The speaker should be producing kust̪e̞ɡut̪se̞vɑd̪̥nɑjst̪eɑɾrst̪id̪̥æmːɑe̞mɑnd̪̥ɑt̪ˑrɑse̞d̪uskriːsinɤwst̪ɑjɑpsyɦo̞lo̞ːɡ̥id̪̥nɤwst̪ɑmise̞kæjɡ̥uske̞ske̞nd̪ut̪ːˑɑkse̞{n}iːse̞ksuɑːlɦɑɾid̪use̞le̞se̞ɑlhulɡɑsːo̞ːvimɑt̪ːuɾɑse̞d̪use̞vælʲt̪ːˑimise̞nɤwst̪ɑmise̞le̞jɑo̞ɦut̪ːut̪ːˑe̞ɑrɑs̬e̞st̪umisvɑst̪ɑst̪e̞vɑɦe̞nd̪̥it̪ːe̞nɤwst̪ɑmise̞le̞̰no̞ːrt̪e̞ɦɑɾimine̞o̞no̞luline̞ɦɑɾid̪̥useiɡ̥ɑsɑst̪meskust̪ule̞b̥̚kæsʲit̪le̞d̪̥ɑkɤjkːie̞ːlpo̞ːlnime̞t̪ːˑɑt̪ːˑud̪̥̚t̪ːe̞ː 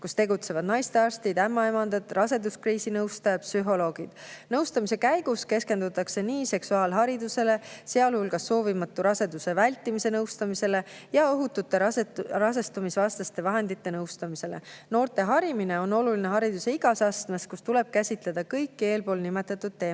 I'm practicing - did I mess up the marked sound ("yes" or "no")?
no